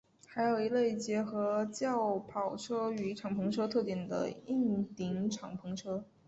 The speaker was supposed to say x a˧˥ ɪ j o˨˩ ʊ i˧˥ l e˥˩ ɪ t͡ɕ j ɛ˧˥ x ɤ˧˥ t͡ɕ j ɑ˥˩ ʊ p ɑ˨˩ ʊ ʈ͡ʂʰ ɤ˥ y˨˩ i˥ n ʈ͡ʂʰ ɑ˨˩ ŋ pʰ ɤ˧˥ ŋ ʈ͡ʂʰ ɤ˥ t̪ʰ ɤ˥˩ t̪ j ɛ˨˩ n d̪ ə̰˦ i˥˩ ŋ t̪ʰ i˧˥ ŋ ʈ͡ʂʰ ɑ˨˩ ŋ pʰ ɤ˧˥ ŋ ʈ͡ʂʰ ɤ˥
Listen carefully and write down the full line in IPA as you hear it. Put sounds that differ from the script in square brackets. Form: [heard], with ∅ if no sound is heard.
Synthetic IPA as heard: x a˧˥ ɪ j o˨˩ ʊ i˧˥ l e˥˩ ɪ t͡ɕ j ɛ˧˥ x ɤ˧˥ t͡ɕ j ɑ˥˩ ʊ [pʰ] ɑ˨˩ ʊ ʈ͡ʂʰ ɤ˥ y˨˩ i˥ [∅] ʈ͡ʂʰ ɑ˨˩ ŋ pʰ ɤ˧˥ ŋ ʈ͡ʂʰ ɤ˥ t̪ʰ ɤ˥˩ t̪ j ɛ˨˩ n d̪ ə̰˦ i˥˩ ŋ [t̪] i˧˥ ŋ ʈ͡ʂʰ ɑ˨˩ ŋ pʰ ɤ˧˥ ŋ ʈ͡ʂʰ ɤ˥